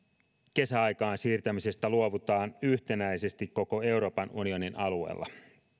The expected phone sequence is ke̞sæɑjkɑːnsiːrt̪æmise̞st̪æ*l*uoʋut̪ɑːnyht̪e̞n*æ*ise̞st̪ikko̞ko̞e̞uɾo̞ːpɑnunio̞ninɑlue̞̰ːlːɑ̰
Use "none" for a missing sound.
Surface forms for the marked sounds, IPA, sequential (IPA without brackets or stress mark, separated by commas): l, æ